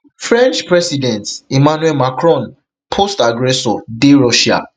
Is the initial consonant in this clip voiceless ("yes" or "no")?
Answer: yes